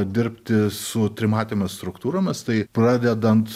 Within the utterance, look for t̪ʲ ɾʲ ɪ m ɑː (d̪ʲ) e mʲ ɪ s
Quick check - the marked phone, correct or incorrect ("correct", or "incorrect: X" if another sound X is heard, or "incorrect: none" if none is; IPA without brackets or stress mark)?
incorrect: t̪ʲ